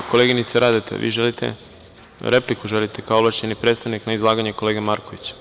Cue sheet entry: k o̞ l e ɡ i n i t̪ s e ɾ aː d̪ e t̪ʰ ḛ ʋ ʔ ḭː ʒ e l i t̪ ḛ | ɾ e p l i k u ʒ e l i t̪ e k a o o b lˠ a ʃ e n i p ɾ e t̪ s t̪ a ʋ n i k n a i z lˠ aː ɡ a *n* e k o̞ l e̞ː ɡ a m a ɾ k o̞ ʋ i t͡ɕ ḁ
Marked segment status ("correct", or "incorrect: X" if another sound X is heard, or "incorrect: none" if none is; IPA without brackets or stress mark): incorrect: ɲ